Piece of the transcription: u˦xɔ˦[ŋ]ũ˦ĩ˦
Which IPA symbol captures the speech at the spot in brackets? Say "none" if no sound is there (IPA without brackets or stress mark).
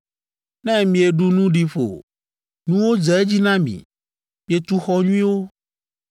ɲ